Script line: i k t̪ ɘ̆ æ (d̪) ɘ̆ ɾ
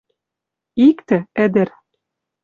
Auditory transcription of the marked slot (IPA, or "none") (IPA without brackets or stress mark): d̪